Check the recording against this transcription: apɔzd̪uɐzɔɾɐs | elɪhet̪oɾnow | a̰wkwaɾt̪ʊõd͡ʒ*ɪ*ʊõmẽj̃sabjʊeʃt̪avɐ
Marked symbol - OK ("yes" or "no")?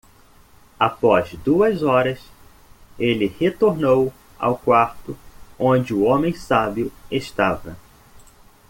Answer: yes